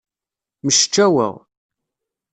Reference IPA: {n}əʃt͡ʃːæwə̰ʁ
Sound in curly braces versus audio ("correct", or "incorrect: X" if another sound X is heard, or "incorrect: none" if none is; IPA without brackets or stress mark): incorrect: m